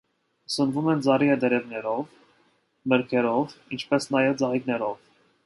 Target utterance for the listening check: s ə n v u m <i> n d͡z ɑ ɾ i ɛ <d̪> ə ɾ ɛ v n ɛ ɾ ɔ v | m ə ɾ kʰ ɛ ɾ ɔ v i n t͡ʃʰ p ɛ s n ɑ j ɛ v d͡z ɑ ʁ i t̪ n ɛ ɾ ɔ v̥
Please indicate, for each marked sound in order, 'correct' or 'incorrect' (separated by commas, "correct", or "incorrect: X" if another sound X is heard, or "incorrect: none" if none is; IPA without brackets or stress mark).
incorrect: ɛ, correct